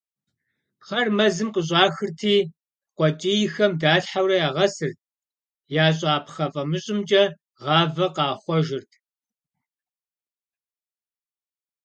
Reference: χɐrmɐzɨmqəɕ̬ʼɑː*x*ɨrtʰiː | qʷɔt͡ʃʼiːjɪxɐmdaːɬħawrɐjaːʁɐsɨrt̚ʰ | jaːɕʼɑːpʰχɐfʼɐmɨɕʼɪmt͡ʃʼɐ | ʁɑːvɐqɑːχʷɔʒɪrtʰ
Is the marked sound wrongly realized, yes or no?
no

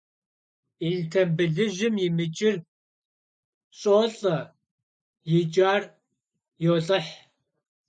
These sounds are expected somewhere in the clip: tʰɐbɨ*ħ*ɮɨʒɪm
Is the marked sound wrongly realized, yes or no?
yes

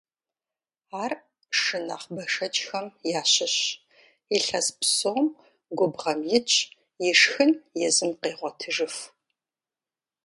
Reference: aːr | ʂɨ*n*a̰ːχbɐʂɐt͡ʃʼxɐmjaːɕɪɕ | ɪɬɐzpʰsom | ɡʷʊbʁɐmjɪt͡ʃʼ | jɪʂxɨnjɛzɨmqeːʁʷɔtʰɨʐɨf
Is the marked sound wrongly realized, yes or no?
no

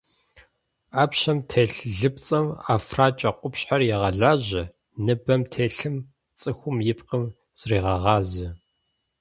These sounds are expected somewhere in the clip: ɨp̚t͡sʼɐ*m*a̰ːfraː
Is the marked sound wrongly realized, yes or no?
no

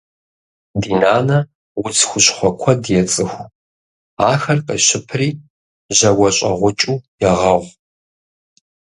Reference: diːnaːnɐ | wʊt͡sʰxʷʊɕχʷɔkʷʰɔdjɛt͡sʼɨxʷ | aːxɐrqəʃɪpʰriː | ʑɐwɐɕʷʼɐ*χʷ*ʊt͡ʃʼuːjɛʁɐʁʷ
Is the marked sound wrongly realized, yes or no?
yes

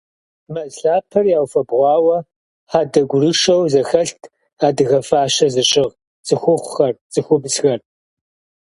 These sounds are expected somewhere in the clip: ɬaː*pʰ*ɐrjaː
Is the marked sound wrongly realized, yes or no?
no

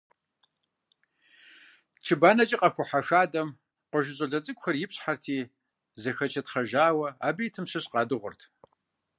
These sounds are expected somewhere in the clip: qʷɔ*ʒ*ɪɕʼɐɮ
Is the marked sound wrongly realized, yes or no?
no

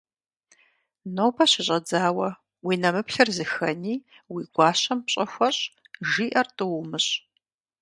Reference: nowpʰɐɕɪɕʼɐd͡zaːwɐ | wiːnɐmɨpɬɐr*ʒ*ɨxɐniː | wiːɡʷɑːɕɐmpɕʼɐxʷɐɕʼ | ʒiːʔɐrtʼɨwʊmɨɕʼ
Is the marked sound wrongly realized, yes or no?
yes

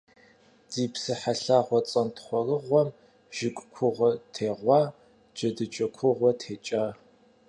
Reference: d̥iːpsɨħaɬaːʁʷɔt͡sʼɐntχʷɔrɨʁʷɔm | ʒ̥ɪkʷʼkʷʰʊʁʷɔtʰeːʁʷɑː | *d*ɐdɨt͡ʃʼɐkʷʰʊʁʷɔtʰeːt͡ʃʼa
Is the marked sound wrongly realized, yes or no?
yes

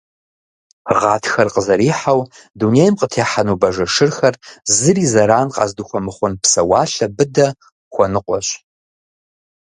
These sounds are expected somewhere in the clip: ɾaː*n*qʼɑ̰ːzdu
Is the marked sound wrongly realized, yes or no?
no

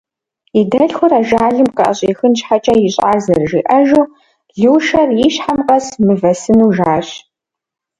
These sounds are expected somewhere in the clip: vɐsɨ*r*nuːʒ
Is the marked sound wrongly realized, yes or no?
yes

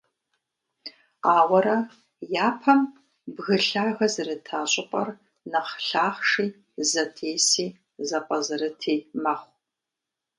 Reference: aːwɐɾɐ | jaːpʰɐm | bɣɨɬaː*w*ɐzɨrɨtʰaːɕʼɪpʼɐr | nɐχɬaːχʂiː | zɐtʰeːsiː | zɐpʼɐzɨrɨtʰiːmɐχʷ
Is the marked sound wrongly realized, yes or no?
yes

